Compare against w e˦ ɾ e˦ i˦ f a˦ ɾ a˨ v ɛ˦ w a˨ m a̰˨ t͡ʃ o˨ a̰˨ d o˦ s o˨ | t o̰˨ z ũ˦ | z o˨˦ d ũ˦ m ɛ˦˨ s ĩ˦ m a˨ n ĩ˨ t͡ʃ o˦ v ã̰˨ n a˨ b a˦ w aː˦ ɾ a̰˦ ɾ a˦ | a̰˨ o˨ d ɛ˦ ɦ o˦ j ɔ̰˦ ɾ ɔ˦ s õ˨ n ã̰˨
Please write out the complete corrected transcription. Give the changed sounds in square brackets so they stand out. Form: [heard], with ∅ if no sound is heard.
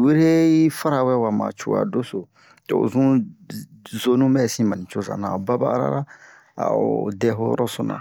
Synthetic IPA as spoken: w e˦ ɾ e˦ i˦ f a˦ ɾ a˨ [w] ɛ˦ w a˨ m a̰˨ t͡ʃ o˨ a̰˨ d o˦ s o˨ | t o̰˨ z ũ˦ | z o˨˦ [n] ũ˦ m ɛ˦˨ s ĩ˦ m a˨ n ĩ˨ t͡ʃ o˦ [z] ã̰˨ n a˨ b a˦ [b] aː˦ ɾ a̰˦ ɾ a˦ | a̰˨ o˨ d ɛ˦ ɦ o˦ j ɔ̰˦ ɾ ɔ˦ s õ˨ n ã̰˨